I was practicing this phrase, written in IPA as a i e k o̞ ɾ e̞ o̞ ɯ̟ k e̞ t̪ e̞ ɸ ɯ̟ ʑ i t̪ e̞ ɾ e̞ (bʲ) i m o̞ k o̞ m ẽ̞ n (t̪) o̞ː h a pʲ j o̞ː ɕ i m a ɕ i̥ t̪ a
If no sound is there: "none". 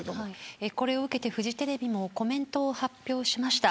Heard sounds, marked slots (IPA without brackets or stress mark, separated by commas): bʲ, t̪